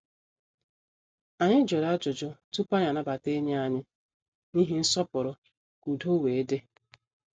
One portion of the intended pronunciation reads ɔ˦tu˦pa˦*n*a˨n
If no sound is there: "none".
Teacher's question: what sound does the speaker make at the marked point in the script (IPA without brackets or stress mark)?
ɲ